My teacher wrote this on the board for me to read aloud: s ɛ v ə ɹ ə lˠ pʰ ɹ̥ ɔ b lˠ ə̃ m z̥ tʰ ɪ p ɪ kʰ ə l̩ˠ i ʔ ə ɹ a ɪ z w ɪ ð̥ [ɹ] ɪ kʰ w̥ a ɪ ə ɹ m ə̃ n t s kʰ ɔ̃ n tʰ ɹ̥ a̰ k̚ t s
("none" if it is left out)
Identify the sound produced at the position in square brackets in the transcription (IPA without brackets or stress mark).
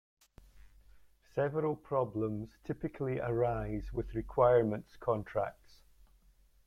ɹ